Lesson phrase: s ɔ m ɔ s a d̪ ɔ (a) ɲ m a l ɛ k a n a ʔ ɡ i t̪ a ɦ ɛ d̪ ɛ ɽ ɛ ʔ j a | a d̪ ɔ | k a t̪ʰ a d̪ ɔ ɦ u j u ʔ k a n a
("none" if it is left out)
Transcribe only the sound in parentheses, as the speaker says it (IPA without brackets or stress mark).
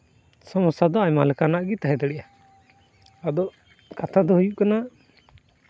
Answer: a